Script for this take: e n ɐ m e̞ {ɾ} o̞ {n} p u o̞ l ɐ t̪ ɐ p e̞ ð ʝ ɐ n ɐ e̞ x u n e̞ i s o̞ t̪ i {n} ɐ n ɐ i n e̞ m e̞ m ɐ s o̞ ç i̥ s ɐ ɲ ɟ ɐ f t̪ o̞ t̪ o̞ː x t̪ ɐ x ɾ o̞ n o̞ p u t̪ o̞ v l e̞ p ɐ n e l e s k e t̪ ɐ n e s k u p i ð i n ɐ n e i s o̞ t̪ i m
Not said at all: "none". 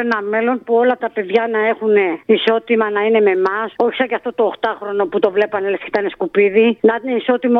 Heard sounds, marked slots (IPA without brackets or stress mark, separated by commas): l, n, m